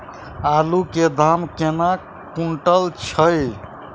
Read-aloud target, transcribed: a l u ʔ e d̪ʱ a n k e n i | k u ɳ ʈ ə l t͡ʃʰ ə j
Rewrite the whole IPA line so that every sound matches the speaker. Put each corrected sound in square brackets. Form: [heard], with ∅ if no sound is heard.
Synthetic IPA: a l u [k] e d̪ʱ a [m] k e n [a] | k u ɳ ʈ ə l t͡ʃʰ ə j